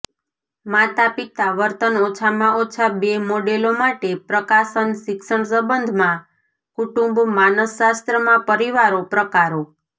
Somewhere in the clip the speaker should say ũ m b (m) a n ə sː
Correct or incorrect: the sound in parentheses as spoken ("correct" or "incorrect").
correct